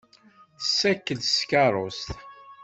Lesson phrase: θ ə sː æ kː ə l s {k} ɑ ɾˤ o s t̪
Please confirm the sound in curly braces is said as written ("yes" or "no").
yes